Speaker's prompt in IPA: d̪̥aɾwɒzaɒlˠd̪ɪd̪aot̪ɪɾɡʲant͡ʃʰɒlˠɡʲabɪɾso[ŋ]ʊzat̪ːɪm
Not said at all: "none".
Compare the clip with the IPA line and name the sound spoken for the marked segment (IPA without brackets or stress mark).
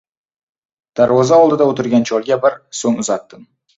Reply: ŋ